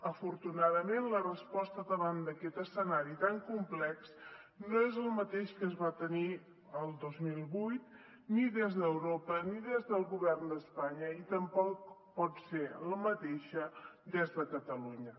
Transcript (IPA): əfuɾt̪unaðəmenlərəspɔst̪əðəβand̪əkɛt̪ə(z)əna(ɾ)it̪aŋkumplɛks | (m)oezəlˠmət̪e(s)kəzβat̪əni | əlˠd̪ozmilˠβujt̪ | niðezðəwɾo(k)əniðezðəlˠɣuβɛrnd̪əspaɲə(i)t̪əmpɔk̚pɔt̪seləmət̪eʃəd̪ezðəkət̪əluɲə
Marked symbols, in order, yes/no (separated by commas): no, yes, no, no, no, yes